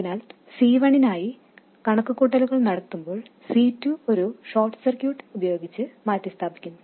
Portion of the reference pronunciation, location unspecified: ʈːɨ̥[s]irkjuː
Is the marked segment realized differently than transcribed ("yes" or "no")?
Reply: no